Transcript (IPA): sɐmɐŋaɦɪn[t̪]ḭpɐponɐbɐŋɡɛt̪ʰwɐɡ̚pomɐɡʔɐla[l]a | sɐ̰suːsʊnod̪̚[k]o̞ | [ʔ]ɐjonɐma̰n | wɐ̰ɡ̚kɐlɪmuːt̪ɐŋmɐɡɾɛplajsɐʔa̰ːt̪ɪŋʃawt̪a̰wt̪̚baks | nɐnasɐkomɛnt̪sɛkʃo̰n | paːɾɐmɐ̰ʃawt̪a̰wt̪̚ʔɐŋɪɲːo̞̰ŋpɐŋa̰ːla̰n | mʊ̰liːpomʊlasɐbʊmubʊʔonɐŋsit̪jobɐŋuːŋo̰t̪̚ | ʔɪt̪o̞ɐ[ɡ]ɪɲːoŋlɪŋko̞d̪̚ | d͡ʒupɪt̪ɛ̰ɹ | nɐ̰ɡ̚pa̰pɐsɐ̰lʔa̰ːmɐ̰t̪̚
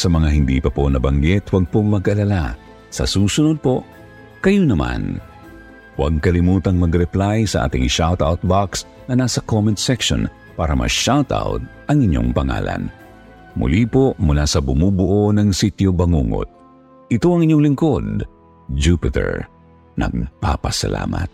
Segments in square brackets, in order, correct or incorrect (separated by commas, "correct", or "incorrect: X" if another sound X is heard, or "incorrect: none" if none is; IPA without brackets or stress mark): incorrect: d̪, correct, incorrect: p, incorrect: k, incorrect: ŋ